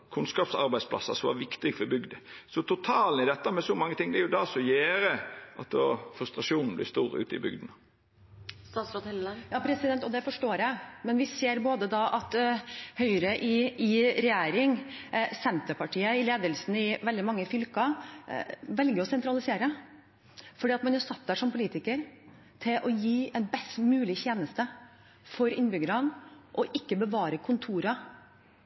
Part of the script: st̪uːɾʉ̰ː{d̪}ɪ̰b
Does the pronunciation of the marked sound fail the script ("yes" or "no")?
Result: yes